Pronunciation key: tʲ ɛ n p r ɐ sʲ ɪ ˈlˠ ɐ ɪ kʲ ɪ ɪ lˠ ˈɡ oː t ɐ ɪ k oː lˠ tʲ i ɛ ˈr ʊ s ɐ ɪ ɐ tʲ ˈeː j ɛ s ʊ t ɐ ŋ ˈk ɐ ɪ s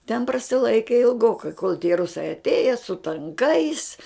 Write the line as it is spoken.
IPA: tʲ ɛ n p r ɐ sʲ ɪ ˈlˠ ɐ ɪ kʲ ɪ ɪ lˠ ˈɡ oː k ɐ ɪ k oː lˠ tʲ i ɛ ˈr ʊ s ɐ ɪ ɐ tʲ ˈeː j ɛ s ʊ t ɐ ŋ ˈk ɐ ɪ s